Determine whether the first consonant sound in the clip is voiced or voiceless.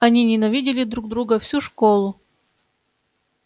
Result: voiced